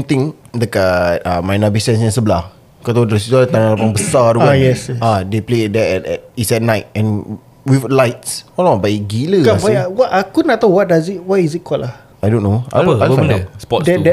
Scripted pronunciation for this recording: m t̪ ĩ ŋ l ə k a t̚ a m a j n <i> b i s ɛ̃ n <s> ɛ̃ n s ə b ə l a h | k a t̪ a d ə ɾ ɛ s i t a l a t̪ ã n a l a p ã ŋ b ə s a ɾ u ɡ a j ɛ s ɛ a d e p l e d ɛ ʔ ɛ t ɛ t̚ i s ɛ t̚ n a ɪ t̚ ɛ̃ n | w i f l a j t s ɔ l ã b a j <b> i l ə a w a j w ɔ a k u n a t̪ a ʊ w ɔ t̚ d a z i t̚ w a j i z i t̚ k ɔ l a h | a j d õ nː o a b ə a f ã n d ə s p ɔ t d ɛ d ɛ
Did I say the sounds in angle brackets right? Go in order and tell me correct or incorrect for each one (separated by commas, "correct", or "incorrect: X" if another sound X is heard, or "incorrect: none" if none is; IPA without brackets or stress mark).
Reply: incorrect: a, correct, incorrect: ɡ